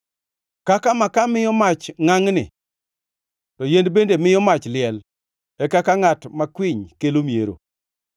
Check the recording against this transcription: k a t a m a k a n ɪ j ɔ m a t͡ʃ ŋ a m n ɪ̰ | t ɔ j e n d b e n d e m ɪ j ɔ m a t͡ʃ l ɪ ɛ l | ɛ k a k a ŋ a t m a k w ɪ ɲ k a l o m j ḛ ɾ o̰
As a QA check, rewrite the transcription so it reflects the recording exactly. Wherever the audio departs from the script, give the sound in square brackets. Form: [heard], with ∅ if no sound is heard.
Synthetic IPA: k a [k] a m a k a [m] ɪ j ɔ m a t͡ʃ ŋ a [ŋ] n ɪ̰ | t ɔ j e n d b e n d e m ɪ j ɔ m a t͡ʃ l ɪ ɛ l | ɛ k a k a ŋ a t m a k w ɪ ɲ k [e] l o m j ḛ ɾ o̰